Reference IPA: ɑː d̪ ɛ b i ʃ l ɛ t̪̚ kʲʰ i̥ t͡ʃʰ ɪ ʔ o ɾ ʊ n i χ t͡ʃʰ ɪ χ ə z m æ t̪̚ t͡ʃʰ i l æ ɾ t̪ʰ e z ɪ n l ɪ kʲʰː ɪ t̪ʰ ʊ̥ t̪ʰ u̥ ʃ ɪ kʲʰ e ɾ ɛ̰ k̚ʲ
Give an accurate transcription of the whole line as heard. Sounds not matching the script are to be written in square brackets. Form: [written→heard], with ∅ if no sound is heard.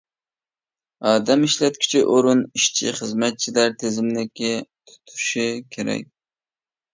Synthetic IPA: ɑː d̪ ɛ [b→m] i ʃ l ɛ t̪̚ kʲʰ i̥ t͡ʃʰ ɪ ʔ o ɾ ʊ n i [χ→ʃ] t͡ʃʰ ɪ χ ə z m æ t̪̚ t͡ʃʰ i l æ ɾ t̪ʰ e z ɪ [n→m] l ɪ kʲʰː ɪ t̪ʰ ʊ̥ t̪ʰ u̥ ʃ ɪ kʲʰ e ɾ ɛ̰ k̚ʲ